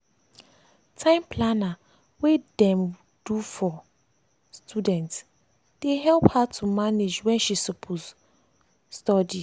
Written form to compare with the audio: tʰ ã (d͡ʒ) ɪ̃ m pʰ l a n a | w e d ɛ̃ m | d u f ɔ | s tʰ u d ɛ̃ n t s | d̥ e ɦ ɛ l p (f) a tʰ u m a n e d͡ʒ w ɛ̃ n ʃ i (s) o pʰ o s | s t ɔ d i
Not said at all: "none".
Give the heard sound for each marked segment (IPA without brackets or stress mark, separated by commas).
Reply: none, h, s